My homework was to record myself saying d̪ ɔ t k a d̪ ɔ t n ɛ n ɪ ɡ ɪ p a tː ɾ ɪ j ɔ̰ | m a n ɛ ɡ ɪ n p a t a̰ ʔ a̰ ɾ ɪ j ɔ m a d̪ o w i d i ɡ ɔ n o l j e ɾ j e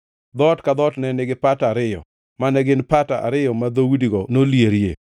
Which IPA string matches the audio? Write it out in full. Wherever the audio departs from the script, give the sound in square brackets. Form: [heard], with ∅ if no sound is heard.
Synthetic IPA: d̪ ɔ t k a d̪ ɔ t n ɛ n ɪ ɡ ɪ p a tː ɾ ɪ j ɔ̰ | m a n ɛ ɡ ɪ n p a t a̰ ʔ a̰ ɾ ɪ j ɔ m a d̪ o w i d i ɡ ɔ n o l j e ɾ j e